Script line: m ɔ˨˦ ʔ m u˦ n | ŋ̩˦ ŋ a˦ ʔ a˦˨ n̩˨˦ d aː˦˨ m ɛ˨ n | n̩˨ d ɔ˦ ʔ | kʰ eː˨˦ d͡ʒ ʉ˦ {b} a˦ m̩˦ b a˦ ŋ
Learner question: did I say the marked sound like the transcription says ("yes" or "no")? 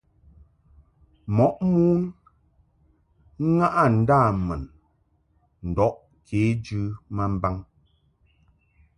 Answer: no